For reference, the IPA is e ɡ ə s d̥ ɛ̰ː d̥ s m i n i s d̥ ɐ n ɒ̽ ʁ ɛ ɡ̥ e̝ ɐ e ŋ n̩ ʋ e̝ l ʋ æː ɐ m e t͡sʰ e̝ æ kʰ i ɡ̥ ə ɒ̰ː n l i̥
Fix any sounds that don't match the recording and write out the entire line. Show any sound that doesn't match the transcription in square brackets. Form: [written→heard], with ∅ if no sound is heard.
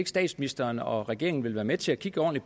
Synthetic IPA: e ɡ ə s d̥ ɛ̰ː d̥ s m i n i s d̥ ɐ n ɒ̽ ʁ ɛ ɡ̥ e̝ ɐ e ŋ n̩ ʋ e̝ l ʋ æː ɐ m e t͡sʰ e̝ æ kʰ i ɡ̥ ə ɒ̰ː n l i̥